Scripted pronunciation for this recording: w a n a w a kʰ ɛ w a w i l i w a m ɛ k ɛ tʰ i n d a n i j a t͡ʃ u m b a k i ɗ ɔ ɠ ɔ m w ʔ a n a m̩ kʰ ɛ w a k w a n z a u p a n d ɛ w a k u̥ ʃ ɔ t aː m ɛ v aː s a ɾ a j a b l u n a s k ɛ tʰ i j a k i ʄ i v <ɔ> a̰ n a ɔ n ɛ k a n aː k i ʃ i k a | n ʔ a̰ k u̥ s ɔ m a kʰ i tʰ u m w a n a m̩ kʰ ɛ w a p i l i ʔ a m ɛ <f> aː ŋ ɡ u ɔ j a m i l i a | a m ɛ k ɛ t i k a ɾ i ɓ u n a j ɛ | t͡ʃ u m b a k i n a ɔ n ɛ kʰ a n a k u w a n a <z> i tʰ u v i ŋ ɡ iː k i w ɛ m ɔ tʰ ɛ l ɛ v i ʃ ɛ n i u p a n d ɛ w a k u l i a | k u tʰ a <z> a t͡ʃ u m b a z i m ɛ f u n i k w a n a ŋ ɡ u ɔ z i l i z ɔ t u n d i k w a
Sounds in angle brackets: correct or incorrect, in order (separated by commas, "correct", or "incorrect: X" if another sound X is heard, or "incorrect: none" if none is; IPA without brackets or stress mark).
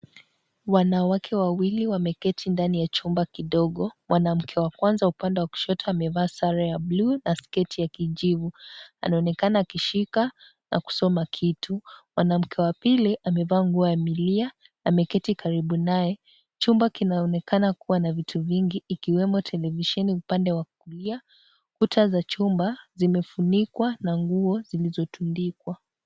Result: incorrect: u, incorrect: v, incorrect: v, correct